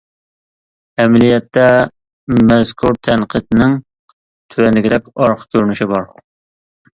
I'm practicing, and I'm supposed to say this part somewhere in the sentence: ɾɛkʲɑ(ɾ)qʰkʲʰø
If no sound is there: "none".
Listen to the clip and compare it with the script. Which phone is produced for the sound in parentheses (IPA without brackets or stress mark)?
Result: ɾ